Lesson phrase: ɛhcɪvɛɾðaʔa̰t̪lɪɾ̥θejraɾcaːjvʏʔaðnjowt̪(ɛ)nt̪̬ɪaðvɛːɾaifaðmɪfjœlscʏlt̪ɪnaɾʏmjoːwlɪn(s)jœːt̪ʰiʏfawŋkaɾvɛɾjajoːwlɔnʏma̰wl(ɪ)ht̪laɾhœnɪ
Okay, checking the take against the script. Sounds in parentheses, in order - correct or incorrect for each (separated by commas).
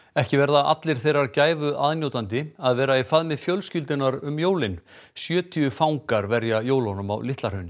incorrect, correct, correct